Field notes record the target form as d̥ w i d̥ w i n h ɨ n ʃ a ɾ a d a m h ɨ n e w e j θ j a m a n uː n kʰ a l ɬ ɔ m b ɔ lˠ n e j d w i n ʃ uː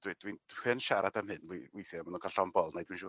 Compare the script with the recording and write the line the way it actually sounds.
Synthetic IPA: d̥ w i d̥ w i n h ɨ n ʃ a ɾ a d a m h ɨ n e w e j θ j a m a n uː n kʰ a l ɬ ɔ m b ɔ lˠ n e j d w i n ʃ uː